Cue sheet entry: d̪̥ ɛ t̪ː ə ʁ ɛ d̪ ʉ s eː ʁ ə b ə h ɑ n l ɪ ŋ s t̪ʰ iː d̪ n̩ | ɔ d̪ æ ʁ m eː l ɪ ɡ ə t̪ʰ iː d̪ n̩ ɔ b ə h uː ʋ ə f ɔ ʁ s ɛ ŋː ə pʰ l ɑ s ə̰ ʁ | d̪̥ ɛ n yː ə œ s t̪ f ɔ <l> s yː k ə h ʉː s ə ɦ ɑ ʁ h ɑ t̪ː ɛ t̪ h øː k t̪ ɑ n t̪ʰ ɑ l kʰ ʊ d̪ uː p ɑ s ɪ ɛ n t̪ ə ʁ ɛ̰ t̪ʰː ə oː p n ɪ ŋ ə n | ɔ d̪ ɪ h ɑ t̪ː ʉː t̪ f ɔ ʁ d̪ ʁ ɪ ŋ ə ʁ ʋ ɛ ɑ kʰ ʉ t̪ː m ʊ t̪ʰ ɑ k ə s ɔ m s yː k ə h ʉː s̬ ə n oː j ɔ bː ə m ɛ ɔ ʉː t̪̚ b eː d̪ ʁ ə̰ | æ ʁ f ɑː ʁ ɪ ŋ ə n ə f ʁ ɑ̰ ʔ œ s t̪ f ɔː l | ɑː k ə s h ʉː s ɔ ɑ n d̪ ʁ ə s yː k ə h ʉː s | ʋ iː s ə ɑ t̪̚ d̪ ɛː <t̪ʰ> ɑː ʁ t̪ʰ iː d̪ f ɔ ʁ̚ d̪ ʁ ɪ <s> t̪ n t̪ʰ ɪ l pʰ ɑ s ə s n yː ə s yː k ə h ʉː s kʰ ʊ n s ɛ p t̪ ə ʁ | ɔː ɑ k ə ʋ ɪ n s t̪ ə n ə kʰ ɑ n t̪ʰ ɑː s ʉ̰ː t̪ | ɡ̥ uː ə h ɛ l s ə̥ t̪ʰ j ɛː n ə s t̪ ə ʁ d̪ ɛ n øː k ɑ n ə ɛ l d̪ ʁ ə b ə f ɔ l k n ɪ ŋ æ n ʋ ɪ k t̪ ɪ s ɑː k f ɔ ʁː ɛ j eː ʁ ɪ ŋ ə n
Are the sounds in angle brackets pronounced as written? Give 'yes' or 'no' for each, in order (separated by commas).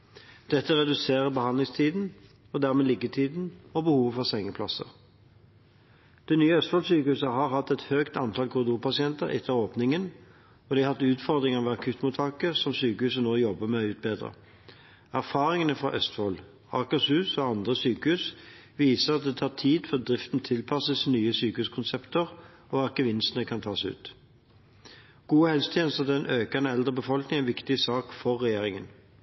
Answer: yes, yes, no